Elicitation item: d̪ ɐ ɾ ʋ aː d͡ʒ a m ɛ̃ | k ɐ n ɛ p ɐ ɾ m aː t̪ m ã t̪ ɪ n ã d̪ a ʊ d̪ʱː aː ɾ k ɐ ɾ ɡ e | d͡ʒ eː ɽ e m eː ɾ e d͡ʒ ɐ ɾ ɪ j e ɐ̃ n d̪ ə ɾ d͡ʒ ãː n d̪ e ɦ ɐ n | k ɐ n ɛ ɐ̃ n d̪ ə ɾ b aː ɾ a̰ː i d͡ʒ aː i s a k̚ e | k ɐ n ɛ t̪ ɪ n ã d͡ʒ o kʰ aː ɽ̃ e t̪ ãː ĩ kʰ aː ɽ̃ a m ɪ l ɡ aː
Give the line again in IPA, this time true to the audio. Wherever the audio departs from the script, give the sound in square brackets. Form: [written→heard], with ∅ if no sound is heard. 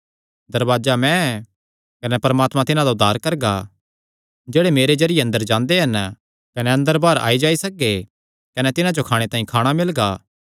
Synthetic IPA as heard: d̪ ɐ ɾ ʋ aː d͡ʒ a m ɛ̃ | k ɐ n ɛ p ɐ ɾ m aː t̪ m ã t̪ ɪ n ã d̪ a ʊ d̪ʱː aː ɾ k ɐ ɾ ɡ [e→a] | d͡ʒ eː ɽ e m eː ɾ e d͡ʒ ɐ ɾ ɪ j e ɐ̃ n d̪ ə ɾ d͡ʒ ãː n d̪ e ɦ ɐ n | k ɐ n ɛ ɐ̃ n d̪ ə ɾ b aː ɾ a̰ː i d͡ʒ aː i s [a→ɐ] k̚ e | k ɐ n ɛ t̪ ɪ n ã d͡ʒ o kʰ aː ɽ̃ e t̪ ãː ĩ kʰ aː ɽ̃ a m ɪ l ɡ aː